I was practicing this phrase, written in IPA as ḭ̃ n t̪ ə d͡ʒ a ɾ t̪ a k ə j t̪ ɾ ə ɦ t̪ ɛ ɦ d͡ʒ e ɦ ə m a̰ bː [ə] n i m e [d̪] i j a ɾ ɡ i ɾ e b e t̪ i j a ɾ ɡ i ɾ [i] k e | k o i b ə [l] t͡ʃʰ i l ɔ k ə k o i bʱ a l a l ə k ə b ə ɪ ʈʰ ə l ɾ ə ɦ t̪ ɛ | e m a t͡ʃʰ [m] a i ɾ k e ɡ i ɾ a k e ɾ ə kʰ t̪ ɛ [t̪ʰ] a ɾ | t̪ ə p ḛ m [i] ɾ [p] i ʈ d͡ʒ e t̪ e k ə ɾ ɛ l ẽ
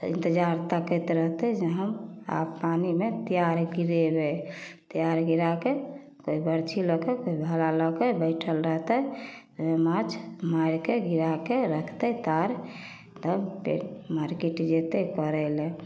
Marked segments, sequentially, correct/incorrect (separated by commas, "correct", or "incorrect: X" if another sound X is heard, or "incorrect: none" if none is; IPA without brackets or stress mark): incorrect: a, incorrect: t̪, incorrect: a, incorrect: ɾ, correct, incorrect: t̪, incorrect: a, incorrect: k